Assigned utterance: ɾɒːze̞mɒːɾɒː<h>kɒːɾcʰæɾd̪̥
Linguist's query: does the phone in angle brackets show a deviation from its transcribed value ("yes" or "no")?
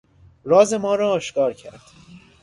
yes